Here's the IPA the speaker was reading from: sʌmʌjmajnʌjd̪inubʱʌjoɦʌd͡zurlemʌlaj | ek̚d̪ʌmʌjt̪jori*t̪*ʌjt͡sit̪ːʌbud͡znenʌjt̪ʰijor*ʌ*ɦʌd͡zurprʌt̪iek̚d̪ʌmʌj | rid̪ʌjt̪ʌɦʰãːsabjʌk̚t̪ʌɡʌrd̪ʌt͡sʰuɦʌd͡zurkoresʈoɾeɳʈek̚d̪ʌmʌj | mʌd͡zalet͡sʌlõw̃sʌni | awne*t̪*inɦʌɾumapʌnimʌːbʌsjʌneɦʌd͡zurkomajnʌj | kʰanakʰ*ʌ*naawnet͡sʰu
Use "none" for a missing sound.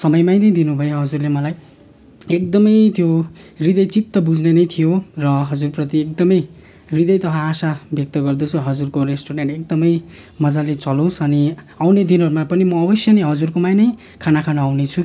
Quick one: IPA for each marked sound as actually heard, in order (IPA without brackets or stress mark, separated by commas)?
d̪, ʌ, d̪, a